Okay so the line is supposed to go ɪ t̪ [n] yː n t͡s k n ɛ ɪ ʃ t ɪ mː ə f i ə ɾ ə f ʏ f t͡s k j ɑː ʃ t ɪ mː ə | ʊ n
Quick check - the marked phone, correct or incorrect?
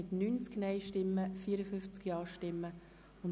correct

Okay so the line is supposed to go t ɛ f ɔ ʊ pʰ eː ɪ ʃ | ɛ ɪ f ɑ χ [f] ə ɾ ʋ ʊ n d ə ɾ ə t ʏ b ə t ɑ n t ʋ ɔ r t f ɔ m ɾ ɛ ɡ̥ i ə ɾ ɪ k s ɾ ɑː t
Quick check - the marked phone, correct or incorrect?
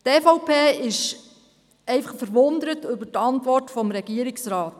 correct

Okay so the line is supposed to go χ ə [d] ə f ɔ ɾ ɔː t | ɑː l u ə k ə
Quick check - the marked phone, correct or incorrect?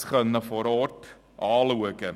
incorrect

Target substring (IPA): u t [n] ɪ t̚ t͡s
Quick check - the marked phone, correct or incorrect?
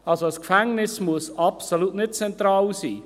correct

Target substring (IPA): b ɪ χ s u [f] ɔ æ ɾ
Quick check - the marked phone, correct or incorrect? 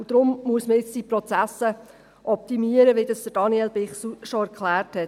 incorrect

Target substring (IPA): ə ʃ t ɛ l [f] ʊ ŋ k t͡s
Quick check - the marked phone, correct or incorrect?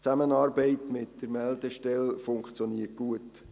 correct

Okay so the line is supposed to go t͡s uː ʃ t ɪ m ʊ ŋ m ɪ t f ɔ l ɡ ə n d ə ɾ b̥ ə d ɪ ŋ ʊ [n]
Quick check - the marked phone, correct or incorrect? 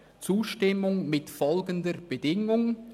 incorrect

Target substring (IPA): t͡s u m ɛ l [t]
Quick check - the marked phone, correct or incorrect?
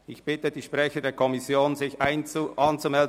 incorrect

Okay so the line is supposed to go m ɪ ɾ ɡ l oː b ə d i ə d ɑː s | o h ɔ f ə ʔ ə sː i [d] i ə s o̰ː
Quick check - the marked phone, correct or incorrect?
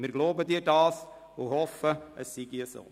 incorrect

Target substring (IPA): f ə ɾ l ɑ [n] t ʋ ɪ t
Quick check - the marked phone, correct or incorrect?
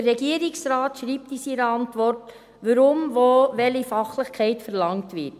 incorrect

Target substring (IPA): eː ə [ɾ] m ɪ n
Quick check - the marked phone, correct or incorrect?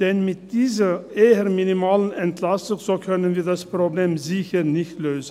correct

